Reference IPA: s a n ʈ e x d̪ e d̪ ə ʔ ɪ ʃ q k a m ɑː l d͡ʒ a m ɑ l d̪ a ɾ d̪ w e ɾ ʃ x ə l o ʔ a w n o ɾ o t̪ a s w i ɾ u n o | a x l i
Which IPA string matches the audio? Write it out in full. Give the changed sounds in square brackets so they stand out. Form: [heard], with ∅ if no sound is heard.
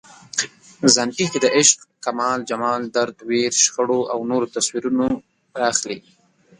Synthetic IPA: [z] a n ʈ [i] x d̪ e d̪ ə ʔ ɪ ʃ q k a m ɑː l d͡ʒ a m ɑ l d̪ a ɾ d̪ w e ɾ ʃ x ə [ɽ] o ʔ a w n o ɾ o t̪ a s w i ɾ u n o | a x l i